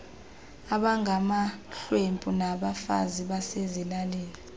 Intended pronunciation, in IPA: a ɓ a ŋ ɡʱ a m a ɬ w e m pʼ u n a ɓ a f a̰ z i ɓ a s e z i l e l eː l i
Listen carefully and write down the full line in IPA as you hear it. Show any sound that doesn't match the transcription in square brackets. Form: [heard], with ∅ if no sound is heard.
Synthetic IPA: a ɓ a ŋ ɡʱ a m a ɬ w e m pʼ u n a ɓ a f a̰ z i ɓ a s e z i l [a] l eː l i